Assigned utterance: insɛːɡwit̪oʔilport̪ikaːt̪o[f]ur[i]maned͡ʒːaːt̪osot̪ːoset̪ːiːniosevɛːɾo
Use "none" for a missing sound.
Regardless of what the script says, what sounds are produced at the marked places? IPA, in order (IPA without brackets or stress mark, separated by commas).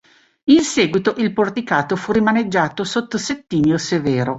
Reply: f, i